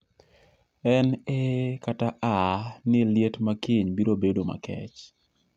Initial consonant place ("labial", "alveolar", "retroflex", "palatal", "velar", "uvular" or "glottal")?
alveolar